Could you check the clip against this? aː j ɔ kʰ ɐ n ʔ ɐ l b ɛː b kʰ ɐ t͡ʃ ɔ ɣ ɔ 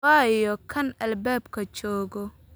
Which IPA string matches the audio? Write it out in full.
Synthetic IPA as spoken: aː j ɔ kʰ ɐ n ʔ ɐ l b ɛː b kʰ ɐ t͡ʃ ɔː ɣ ɔ